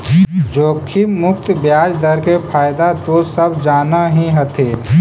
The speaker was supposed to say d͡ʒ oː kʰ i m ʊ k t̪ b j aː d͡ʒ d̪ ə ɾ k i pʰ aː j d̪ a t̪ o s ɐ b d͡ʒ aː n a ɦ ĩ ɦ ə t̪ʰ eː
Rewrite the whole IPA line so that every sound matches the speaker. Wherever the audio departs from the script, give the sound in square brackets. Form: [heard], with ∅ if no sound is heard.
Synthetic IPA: d͡ʒ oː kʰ i m ʊ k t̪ b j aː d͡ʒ d̪ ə ɾ k [e] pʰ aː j d̪ a t̪ o s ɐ b d͡ʒ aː n a ɦ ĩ ɦ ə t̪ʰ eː